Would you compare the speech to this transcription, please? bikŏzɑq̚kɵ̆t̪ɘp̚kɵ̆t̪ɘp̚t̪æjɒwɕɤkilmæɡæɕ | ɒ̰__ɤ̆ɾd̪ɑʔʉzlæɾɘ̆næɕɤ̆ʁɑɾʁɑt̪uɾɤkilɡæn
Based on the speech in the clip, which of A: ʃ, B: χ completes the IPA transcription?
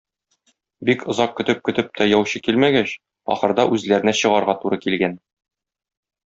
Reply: B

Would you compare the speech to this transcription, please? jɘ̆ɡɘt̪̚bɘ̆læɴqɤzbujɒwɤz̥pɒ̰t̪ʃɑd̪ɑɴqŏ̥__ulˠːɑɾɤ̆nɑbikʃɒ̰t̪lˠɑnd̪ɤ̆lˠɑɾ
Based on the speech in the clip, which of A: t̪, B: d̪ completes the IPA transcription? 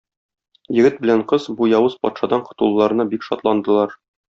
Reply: A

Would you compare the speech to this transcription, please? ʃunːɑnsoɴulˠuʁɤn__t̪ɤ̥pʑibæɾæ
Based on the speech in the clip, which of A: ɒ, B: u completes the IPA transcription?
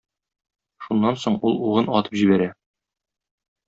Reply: A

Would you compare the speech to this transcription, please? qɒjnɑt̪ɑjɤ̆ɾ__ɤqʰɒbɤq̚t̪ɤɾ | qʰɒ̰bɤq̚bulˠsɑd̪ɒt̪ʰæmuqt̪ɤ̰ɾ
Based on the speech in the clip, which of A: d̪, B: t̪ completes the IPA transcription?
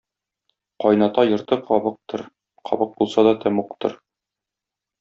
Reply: B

